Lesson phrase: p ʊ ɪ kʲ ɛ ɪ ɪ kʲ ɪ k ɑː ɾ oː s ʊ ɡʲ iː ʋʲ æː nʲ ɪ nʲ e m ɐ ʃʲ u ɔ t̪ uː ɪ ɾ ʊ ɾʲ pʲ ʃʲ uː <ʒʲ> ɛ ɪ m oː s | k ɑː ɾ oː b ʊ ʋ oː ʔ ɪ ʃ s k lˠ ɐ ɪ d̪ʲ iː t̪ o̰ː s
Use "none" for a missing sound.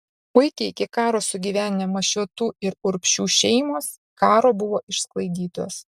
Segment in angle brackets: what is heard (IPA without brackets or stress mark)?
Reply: ʃʲ